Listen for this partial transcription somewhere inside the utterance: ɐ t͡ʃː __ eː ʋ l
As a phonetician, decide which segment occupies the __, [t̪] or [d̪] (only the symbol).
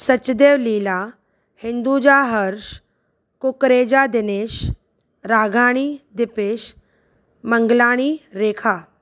d̪